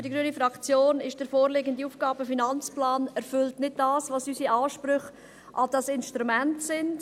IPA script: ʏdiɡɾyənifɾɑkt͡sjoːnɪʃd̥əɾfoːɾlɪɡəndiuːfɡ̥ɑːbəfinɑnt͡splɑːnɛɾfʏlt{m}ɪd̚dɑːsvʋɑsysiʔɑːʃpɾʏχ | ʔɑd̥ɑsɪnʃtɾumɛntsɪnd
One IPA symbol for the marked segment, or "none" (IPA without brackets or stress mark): n